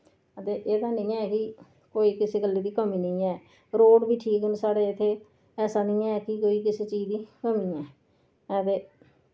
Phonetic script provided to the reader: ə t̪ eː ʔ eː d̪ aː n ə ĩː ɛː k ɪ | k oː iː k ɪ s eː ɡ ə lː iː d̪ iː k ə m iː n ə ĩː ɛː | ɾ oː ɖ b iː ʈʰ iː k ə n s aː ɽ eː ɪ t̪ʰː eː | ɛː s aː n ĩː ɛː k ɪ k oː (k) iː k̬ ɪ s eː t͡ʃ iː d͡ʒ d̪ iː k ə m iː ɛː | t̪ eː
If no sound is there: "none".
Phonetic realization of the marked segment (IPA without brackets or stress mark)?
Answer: none